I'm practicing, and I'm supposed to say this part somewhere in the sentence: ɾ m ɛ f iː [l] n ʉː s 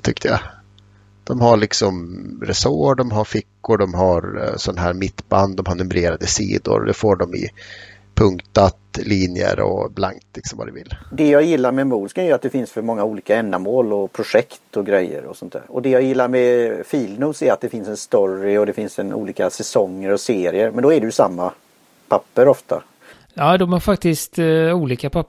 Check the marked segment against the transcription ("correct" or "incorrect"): correct